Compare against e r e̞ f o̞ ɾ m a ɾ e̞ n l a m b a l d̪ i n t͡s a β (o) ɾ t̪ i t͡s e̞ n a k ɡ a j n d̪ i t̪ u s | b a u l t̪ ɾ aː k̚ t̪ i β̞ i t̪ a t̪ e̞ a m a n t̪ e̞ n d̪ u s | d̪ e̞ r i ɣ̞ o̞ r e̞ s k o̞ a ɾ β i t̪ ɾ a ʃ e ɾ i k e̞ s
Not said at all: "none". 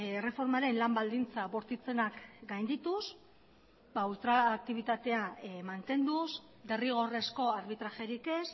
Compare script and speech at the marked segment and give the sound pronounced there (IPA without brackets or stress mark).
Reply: o